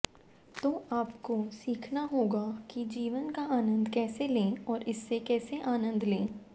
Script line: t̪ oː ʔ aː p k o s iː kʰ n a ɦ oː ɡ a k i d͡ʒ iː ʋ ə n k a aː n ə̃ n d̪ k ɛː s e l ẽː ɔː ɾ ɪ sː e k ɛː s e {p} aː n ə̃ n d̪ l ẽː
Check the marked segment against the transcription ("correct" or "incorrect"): incorrect